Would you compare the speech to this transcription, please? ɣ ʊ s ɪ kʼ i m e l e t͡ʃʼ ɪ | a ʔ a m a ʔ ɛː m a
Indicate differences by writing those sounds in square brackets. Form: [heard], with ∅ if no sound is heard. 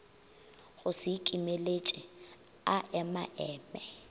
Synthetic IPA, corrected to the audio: ɣ ʊ s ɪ kʼ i m e l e t͡ʃʼ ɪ | a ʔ [ɛ] m a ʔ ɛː m [ɛ]